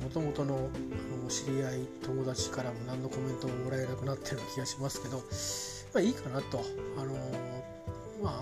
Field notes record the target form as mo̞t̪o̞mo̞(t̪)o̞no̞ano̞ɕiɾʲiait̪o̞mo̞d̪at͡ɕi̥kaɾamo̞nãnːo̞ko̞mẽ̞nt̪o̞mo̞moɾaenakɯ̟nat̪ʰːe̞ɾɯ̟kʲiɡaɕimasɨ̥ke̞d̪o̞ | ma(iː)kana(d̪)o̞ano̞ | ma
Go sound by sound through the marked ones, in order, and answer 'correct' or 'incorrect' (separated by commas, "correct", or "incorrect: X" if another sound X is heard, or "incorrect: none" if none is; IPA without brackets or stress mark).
correct, correct, incorrect: t̪